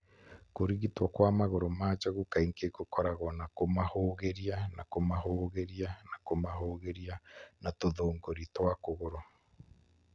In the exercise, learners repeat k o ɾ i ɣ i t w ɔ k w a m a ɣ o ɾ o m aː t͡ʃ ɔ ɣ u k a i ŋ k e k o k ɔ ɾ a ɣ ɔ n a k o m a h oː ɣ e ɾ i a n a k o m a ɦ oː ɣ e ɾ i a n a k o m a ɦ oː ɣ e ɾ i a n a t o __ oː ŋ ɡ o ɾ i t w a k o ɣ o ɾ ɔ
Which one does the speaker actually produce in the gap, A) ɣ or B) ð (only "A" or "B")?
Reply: B